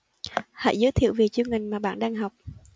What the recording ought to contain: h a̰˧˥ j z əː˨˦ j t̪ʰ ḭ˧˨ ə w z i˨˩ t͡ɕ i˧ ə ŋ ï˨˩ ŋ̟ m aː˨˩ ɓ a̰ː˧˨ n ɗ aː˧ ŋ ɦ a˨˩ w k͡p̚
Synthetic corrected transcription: h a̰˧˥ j z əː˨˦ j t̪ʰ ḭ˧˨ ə w v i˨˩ t͡ɕ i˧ ə ŋ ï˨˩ ŋ̟ m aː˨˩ ɓ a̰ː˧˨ n ɗ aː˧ ŋ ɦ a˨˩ w k͡p̚